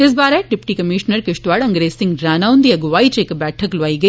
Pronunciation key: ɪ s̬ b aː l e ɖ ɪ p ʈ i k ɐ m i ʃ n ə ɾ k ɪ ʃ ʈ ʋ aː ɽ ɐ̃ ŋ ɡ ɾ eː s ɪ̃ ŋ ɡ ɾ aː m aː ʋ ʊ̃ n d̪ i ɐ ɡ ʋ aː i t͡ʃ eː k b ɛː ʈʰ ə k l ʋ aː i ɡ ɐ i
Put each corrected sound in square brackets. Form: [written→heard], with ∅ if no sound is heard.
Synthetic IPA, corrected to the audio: ɪ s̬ b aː [l→ɾ] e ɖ ɪ p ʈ i k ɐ m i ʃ n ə ɾ k ɪ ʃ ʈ ʋ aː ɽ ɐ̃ ŋ ɡ ɾ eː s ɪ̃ ŋ ɡ ɾ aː [m→n] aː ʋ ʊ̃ n d̪ i ɐ ɡ ʋ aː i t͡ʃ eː k b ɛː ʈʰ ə k l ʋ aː i ɡ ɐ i

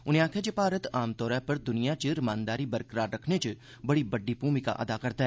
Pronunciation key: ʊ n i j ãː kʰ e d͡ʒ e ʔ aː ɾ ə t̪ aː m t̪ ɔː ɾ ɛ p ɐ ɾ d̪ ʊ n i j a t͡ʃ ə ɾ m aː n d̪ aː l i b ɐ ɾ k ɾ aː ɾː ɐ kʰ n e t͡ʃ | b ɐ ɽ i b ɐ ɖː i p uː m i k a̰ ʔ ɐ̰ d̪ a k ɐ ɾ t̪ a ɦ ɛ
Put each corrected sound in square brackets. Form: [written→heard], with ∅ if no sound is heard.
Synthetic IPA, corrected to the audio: ʊ n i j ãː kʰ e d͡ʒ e [ʔ→p] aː ɾ ə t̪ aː m t̪ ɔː ɾ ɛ p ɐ ɾ d̪ ʊ n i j a t͡ʃ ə ɾ m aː n d̪ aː [l→ɾ] i b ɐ ɾ k ɾ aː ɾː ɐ kʰ n e t͡ʃ | b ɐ ɽ i b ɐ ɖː i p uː m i k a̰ ʔ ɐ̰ d̪ a k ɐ ɾ t̪ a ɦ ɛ

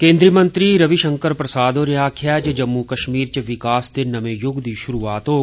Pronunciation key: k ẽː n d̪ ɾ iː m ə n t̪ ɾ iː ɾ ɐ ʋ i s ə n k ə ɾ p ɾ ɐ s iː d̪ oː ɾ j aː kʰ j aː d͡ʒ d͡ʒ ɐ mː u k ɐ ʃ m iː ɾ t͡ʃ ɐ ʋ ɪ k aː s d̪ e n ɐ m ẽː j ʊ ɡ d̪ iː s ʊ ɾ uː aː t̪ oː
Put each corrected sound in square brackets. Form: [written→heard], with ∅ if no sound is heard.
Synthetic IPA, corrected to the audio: k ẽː n d̪ ɾ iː m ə n t̪ ɾ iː ɾ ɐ ʋ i [s→ʃ] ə [n→ŋ] k ə ɾ p ɾ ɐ s [iː→aː] d̪ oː ɾ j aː kʰ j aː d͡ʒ d͡ʒ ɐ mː u k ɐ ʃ m iː ɾ t͡ʃ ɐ ʋ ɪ k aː s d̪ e n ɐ m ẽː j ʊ ɡ d̪ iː [s→ʃ] ʊ ɾ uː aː t̪ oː

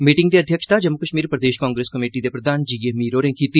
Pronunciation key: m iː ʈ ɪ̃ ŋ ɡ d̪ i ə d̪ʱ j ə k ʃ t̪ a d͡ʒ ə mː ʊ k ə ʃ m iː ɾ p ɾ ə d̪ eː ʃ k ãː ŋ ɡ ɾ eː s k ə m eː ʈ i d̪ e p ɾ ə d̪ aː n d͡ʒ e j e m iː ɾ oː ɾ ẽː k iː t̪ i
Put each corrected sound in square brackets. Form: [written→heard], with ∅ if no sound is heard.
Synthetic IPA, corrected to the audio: m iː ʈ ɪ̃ ŋ ɡ d̪ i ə d̪ʱ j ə k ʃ t̪ a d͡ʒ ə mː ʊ k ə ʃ m iː ɾ p ɾ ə d̪ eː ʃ k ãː ŋ ɡ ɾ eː s k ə m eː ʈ i d̪ e p ɾ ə d̪ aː n d͡ʒ [e→i] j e m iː ɾ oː ɾ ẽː k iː t̪ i

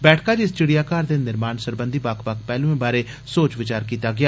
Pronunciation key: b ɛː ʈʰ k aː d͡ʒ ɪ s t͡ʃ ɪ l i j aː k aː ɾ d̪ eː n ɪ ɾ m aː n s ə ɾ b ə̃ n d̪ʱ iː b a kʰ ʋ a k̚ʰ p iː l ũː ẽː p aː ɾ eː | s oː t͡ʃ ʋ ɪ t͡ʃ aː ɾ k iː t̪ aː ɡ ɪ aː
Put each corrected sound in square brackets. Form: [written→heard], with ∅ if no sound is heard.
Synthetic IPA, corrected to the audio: b ɛː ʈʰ k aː d͡ʒ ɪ s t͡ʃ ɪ [l→ɽ] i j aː k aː ɾ d̪ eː n ɪ ɾ m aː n s ə ɾ b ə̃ n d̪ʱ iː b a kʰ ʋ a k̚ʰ p [iː→ɛː] l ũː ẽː [p→b] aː ɾ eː | s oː t͡ʃ ʋ ɪ t͡ʃ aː ɾ k iː t̪ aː ɡ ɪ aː

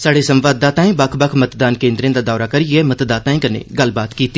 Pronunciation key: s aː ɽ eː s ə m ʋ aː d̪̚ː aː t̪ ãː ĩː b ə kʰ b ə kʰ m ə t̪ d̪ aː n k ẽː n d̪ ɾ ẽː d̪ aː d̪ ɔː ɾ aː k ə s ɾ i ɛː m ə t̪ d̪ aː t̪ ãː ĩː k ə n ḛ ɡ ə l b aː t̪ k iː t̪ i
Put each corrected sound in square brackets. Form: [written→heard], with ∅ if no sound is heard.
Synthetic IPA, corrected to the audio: s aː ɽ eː s ə m ʋ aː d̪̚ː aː t̪ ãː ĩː b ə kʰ b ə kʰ m ə t̪ d̪ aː n k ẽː n d̪ ɾ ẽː d̪ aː d̪ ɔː ɾ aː k ə [s→∅] ɾ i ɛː m ə t̪ d̪ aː t̪ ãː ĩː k ə n ḛ ɡ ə l b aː t̪ k iː t̪ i

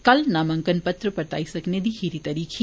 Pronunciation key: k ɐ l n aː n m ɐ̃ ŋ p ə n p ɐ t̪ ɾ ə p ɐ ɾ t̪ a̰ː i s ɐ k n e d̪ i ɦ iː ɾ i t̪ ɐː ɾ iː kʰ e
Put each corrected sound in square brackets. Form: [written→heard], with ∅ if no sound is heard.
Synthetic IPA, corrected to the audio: k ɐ l n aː [n→∅] m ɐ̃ ŋ [p→k] ə n p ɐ t̪ ɾ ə p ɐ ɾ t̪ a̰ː i s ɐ k n e d̪ i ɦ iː ɾ i t̪ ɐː ɾ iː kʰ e

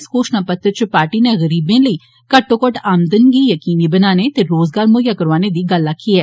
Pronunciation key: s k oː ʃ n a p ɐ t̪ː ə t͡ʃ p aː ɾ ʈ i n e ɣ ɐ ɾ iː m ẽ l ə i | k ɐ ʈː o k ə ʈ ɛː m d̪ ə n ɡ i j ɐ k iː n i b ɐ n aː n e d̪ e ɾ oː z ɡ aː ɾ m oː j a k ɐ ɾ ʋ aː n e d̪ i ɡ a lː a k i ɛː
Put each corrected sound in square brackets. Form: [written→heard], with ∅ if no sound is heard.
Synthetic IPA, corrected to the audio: s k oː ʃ n a p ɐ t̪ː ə t͡ʃ p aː ɾ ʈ i n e ɣ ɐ ɾ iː [m→b] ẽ l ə i | k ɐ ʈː o k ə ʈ [ɛː→aː] m d̪ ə n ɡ i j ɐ k iː n i b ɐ n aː n e [d̪→t̪] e ɾ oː z ɡ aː ɾ m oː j a k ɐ ɾ ʋ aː n e d̪ i ɡ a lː a k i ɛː

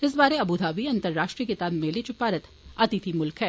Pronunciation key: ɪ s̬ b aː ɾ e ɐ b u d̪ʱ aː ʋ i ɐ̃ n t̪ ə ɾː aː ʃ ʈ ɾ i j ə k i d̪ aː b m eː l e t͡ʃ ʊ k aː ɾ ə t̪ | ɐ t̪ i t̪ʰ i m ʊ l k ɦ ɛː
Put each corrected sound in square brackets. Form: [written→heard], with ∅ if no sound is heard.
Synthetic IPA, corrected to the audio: ɪ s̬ b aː ɾ e ɐ b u d̪ʱ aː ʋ i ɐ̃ n t̪ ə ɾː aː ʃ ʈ ɾ i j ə k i [d̪→t̪] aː b m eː l e t͡ʃ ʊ [k→p] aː ɾ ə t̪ | ɐ t̪ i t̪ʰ i m ʊ l k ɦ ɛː

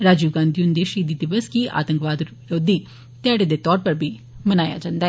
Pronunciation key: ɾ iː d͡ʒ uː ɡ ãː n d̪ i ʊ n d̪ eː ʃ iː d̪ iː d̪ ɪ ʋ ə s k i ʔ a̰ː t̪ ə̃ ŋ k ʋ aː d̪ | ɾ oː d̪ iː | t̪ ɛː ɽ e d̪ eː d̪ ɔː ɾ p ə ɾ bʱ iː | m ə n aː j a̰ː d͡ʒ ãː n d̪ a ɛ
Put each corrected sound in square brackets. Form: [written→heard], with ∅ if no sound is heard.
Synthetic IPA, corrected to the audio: ɾ [iː→aː] d͡ʒ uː ɡ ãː n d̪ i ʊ n d̪ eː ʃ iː d̪ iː d̪ ɪ ʋ ə s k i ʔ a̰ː t̪ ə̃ ŋ k ʋ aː d̪ | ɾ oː d̪ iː | t̪ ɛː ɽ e d̪ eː [d̪→t̪] ɔː ɾ p ə ɾ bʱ iː | m ə n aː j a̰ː d͡ʒ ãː n d̪ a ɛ

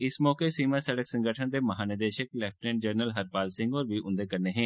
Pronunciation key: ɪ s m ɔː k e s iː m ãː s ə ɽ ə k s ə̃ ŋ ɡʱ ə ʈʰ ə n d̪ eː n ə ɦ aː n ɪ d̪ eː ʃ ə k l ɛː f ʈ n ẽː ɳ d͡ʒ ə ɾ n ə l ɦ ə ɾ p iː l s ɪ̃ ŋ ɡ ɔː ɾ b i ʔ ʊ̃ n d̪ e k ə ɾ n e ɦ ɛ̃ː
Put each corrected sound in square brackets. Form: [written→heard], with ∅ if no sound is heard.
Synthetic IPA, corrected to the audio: ɪ s m ɔː k e s iː m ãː s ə ɽ ə k s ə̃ ŋ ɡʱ ə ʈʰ ə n d̪ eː [n→m] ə ɦ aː n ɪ d̪ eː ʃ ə k l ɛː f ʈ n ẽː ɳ d͡ʒ ə ɾ n ə l ɦ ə ɾ p [iː→aː] l s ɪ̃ ŋ ɡ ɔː ɾ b i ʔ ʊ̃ n d̪ e k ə ɾ n e ɦ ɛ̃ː

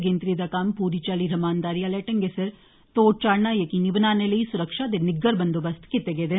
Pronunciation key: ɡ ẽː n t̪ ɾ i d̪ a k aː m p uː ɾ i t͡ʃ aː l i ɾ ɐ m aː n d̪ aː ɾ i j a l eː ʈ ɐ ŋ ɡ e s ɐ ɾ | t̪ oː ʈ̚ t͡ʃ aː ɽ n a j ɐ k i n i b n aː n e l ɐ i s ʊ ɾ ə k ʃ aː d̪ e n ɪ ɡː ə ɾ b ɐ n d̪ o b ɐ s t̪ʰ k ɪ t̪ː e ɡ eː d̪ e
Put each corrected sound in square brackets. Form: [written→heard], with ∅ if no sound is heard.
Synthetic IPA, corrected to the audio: ɡ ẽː n t̪ ɾ i d̪ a k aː m p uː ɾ i t͡ʃ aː l i ɾ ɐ m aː n d̪ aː ɾ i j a l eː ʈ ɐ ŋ ɡ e s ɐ ɾ | t̪ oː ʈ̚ t͡ʃ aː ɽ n a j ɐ k i n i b n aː n e l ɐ i s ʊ ɾ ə k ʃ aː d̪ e n ɪ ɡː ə ɾ b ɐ n d̪ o b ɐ s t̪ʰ k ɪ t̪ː e ɡ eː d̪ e

